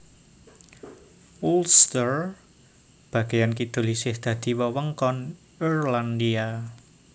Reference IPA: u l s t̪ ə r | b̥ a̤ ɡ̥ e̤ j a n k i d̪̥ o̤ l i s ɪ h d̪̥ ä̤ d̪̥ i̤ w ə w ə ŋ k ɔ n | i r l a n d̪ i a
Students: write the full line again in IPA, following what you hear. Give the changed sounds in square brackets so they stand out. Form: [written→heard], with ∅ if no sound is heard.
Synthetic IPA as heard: u l s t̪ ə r | b̥ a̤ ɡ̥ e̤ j a n k i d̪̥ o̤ l i s ɪ h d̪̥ ä̤ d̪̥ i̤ w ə w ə ŋ k ɔ n | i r l a n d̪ i a